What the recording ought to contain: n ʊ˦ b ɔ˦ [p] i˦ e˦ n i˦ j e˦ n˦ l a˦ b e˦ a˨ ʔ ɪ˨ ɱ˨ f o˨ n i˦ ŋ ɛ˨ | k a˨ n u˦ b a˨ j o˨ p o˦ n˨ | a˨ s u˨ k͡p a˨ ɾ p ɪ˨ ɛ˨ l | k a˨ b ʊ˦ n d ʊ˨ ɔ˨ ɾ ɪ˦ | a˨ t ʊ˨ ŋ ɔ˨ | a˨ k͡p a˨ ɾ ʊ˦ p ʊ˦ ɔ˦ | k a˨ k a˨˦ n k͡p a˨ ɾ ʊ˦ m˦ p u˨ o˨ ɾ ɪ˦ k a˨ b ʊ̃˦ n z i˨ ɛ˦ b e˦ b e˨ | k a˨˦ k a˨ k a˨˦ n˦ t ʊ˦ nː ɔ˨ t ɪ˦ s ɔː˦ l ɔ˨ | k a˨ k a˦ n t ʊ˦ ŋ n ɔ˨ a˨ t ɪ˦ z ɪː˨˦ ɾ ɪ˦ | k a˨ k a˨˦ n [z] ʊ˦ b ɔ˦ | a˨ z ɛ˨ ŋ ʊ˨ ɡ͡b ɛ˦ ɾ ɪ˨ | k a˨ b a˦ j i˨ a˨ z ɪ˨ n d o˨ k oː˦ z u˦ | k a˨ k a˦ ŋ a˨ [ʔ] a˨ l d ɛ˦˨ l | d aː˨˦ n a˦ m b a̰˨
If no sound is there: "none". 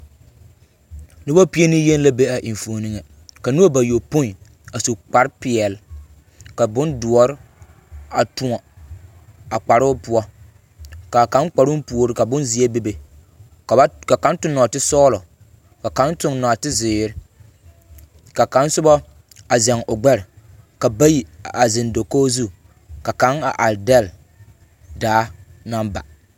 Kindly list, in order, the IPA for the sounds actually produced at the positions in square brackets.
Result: p, s, ʔ

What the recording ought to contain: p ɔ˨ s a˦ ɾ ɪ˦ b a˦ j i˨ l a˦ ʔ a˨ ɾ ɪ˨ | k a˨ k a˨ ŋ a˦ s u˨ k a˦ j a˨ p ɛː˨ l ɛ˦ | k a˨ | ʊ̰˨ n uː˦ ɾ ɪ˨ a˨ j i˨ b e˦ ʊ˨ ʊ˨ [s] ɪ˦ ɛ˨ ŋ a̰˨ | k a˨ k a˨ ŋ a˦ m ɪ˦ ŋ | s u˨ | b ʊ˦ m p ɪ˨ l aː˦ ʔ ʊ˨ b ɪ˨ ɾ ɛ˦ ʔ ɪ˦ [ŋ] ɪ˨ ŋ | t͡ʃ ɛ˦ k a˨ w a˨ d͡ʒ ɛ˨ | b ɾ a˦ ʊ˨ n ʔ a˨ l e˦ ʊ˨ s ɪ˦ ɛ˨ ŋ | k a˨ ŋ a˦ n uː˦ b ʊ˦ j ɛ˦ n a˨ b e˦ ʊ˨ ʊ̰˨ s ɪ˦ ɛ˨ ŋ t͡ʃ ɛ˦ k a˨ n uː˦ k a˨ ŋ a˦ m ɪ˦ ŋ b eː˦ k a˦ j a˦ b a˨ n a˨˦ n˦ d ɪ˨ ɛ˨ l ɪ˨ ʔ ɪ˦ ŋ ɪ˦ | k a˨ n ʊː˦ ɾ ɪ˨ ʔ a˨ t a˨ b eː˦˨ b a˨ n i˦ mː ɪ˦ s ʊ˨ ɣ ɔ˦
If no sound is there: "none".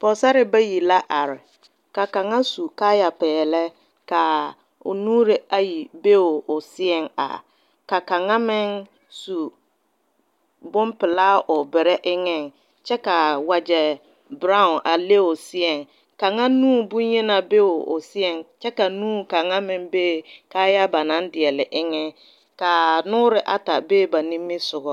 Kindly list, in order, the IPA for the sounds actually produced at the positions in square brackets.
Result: s, ŋ

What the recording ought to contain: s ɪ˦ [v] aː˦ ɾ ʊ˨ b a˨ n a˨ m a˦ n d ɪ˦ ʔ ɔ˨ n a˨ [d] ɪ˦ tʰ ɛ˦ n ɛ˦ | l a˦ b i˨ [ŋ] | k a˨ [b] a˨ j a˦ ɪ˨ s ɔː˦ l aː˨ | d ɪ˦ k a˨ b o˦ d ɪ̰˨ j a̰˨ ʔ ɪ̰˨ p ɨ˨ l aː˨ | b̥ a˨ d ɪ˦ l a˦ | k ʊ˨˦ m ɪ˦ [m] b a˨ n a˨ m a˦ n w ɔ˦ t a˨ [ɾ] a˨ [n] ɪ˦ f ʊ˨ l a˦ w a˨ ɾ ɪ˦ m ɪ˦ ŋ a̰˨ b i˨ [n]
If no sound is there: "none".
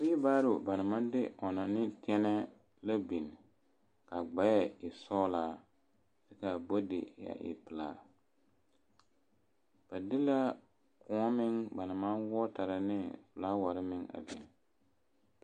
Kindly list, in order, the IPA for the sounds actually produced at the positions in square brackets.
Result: b, n, n, ɡ͡b, ŋ, ɾ, n, n

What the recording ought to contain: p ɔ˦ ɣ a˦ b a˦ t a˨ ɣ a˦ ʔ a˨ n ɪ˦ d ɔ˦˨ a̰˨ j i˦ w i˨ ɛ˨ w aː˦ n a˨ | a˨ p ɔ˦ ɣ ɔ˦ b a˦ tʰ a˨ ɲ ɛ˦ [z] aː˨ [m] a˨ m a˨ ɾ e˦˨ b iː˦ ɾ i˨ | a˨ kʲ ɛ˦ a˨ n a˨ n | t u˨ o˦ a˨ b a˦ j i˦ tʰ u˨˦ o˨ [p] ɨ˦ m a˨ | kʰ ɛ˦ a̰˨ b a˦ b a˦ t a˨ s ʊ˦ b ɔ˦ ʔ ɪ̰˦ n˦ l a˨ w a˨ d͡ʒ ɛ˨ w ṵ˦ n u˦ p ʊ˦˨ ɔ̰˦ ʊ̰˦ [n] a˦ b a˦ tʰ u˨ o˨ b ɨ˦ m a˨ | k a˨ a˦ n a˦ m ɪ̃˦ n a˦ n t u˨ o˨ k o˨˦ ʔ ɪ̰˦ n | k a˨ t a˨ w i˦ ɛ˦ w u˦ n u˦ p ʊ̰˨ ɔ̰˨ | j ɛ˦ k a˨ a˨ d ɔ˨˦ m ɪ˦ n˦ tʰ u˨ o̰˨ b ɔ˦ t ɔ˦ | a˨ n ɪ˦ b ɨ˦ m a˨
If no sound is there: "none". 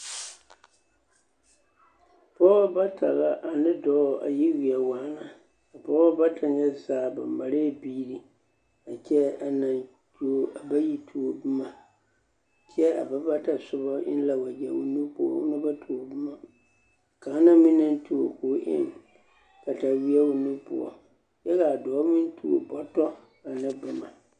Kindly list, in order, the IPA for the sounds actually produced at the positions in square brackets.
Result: z, b, b, n

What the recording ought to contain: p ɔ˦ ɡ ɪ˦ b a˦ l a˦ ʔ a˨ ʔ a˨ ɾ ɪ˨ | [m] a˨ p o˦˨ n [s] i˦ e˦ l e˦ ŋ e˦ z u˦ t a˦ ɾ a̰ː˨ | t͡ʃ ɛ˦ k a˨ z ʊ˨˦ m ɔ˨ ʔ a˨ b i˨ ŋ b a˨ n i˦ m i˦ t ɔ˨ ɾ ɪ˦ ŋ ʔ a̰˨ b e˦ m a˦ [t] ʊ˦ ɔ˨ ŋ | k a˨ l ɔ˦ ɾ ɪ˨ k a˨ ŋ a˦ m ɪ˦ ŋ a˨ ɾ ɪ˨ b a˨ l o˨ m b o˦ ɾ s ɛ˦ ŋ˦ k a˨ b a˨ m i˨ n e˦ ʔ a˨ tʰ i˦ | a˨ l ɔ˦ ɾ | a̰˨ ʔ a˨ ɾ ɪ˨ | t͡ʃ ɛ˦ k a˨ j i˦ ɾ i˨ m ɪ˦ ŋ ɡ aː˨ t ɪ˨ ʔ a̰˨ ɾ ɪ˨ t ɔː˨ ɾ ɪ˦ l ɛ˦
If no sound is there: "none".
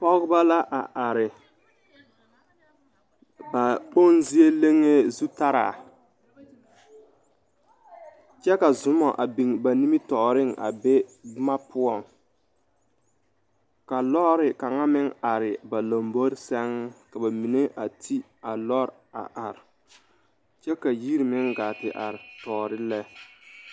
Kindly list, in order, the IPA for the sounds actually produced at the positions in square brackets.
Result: b, z, p

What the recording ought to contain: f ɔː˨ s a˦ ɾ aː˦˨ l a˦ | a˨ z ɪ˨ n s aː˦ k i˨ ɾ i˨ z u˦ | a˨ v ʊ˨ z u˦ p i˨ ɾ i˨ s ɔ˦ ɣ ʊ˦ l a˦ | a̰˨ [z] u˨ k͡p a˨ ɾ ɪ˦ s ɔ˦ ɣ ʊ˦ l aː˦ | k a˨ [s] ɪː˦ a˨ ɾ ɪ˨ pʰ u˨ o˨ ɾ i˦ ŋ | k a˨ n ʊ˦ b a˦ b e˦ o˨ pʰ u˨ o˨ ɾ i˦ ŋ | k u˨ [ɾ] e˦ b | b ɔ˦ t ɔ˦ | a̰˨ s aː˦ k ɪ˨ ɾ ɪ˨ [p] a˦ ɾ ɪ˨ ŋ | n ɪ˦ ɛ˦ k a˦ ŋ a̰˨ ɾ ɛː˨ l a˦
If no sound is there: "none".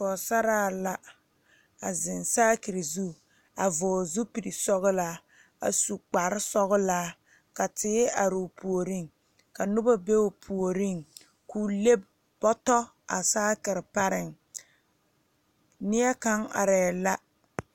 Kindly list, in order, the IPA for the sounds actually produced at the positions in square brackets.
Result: s, t, l, p

